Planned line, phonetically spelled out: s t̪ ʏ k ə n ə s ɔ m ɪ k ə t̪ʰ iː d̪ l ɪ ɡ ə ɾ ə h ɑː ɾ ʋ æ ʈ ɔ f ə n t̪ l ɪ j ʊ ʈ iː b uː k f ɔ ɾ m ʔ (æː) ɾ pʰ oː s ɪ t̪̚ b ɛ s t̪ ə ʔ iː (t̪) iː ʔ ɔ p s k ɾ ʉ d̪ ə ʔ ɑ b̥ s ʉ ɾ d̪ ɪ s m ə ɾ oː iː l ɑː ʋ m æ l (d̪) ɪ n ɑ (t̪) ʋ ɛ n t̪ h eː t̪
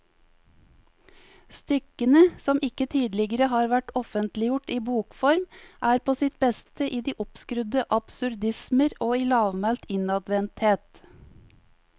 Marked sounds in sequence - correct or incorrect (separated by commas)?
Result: correct, incorrect, incorrect, incorrect